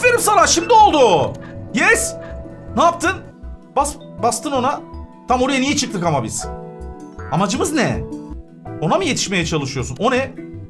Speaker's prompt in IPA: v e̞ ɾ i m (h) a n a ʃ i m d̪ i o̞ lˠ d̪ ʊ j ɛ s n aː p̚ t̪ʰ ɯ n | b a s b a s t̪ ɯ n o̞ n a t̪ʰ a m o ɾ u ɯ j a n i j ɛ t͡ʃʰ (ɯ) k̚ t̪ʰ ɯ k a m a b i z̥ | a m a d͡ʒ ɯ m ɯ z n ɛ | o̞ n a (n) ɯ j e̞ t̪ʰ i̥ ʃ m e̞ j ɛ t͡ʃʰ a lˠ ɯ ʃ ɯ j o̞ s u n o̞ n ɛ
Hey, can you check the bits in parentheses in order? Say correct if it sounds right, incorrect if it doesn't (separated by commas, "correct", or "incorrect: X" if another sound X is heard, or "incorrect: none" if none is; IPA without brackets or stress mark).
incorrect: s, correct, incorrect: m